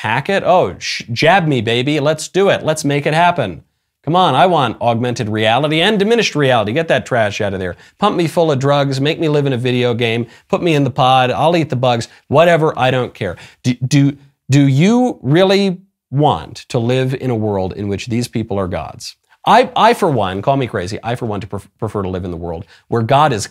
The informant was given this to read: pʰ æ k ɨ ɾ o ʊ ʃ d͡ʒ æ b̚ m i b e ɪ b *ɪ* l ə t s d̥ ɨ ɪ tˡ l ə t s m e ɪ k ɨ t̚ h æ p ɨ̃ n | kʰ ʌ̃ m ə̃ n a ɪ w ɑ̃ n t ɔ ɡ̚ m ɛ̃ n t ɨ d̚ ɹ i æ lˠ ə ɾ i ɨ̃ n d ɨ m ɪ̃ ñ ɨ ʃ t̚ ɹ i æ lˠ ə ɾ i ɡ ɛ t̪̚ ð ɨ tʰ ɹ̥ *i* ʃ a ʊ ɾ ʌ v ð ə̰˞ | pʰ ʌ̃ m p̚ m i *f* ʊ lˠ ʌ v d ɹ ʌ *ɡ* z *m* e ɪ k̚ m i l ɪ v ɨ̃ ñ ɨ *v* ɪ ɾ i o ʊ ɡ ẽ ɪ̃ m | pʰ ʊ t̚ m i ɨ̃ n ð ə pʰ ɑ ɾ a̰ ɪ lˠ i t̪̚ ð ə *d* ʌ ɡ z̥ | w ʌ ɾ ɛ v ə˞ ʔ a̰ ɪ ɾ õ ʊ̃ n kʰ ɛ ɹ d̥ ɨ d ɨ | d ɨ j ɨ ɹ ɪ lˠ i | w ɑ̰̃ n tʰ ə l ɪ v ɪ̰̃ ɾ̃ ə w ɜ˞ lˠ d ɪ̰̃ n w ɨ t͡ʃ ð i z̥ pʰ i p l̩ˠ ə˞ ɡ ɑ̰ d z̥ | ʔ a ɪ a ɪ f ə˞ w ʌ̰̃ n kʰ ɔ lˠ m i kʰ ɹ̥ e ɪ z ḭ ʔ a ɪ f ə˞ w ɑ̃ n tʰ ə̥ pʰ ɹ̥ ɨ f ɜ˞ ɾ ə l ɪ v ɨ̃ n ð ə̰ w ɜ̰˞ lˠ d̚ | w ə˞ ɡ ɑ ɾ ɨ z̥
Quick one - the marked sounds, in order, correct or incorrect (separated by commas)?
incorrect, incorrect, correct, correct, correct, correct, incorrect